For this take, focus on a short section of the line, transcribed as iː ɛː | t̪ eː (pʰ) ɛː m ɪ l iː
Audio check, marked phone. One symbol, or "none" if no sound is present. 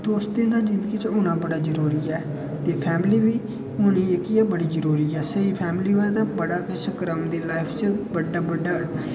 pʰ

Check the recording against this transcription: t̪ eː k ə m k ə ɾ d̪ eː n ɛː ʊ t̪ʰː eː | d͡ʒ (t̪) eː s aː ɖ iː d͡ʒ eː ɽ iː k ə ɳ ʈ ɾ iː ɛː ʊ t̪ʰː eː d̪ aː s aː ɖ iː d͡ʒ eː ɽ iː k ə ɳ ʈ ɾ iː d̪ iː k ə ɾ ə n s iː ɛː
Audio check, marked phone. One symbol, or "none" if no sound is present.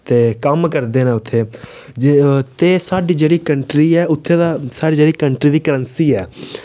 t̪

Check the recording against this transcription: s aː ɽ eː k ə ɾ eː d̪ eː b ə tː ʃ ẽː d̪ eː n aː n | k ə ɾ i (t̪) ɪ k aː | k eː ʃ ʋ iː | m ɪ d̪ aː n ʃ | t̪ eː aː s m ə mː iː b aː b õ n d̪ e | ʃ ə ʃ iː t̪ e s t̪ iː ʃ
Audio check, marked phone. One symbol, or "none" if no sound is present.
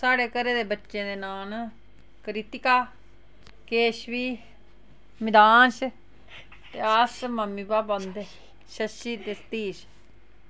t̪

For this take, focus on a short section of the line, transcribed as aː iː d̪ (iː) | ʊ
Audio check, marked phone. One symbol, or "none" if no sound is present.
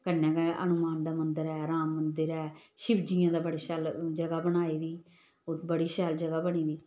iː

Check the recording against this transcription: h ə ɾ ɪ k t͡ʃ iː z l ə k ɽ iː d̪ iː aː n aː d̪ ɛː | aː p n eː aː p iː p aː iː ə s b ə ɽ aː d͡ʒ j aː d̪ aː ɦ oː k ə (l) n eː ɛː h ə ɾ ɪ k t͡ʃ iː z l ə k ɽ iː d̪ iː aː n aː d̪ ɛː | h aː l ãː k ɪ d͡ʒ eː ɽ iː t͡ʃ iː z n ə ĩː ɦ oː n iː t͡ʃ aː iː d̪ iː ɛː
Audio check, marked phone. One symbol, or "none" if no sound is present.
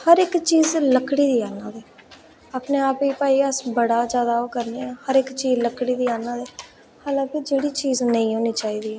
ɾ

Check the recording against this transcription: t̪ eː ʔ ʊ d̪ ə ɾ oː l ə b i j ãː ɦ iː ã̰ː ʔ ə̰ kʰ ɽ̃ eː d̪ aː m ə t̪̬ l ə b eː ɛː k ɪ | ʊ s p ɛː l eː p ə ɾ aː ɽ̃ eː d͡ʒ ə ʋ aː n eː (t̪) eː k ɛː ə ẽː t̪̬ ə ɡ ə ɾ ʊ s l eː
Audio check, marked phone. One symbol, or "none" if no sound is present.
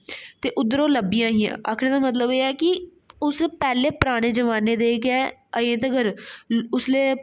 d̪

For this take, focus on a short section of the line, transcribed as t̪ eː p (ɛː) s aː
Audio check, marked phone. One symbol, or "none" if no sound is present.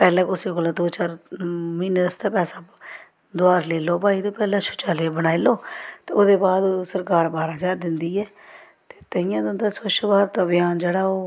ɛː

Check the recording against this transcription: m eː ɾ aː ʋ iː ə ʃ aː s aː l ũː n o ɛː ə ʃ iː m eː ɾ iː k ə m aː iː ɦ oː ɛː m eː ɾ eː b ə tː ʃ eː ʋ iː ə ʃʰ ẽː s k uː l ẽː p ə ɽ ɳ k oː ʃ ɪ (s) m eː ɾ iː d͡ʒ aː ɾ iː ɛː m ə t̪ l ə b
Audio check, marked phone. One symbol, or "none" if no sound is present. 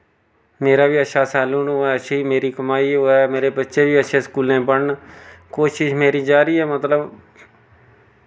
ʃ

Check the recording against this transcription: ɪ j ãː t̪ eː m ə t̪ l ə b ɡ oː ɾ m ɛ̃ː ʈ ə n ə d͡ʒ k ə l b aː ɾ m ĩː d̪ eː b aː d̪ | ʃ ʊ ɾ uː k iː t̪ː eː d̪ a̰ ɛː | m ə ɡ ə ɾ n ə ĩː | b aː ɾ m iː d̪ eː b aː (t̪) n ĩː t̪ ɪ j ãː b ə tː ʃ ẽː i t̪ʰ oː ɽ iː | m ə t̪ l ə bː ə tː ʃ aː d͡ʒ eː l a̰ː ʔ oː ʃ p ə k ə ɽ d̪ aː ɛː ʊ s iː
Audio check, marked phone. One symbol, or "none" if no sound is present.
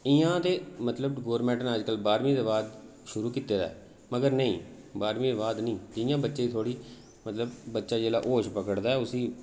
d̪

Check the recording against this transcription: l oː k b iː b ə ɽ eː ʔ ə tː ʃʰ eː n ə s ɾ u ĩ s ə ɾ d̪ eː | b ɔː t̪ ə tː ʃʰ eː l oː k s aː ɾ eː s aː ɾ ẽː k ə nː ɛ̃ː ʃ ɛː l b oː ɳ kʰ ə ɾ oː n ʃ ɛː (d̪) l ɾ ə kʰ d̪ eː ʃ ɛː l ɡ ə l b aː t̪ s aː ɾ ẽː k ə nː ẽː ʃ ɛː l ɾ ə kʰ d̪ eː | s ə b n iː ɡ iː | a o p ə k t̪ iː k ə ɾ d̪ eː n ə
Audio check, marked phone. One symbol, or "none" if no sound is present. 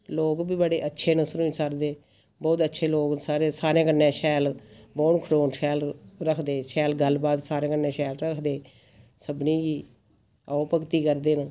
none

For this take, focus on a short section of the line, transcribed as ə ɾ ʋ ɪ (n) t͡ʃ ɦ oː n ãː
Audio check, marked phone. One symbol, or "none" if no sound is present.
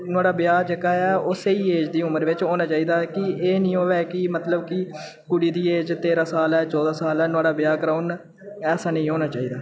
none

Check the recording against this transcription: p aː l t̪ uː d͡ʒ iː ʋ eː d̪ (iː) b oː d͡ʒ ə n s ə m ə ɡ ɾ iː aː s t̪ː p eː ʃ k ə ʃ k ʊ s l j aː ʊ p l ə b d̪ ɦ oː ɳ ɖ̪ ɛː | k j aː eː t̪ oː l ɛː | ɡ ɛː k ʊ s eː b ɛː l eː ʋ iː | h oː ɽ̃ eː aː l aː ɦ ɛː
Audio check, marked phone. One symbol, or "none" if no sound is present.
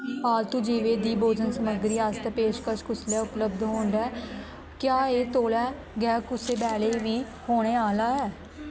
iː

